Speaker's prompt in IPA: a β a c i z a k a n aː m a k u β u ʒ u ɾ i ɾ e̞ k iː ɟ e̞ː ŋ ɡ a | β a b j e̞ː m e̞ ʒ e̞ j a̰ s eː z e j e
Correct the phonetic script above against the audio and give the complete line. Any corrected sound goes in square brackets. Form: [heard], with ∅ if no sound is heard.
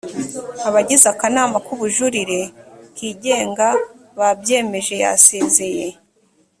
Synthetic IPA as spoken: a β a [ɟ] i z a k a n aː m a k u β u ʒ u ɾ i ɾ e̞ k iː ɟ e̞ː ŋ ɡ a | β a b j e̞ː m e̞ ʒ e̞ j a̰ s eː z e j e